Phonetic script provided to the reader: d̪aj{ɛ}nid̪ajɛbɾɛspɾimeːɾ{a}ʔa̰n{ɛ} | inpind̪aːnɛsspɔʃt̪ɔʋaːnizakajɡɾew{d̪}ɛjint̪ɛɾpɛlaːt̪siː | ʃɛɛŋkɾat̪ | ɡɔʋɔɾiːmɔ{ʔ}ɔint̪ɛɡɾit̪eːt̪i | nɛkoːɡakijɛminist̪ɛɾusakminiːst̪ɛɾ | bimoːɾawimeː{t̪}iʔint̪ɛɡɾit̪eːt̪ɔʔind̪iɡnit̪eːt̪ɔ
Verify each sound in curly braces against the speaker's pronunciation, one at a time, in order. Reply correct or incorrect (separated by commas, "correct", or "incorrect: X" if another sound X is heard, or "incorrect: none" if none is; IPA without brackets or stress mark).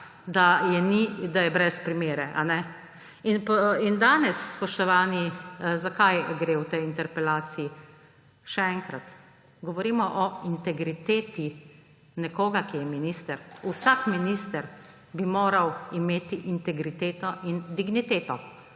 correct, incorrect: ɛ, correct, incorrect: t̪, correct, correct